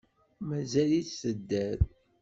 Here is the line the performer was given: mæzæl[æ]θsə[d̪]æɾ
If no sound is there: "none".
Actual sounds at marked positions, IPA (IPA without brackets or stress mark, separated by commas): i, d̪ː